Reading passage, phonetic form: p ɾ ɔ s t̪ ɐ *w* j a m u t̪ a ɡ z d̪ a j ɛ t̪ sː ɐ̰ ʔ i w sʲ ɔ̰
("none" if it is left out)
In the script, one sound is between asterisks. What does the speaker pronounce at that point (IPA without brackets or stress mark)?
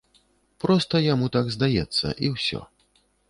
none